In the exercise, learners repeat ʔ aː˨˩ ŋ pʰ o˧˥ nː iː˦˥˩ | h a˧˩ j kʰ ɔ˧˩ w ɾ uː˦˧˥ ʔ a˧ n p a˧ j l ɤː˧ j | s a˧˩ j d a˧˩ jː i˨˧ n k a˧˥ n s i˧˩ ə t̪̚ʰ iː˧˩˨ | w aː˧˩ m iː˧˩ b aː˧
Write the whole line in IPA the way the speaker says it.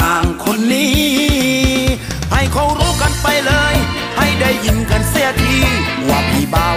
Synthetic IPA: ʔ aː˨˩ ŋ kʰ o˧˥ nː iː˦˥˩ | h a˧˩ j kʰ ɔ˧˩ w ɾ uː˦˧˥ k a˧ n p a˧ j l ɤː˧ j | h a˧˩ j d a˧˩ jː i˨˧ n k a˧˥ n s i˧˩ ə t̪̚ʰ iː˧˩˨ | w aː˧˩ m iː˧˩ b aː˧